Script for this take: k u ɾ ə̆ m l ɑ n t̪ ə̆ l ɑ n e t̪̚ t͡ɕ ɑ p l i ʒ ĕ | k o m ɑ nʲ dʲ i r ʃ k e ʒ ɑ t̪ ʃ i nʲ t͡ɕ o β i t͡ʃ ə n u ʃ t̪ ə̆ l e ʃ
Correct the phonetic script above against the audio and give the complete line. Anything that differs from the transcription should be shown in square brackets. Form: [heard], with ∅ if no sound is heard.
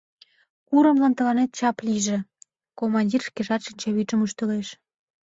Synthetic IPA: k u ɾ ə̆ m l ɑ n t̪ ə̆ l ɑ n e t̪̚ t͡ɕ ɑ p l i ʒ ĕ | k o m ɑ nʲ dʲ i r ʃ k e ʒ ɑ t̪ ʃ i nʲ t͡ɕ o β i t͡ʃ ə [m] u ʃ t̪ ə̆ l e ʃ